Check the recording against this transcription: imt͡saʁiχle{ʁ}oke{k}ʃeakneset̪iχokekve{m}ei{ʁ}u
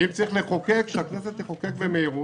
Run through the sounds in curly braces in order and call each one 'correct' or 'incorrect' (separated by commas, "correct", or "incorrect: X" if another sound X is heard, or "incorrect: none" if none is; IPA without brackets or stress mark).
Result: incorrect: χ, correct, correct, correct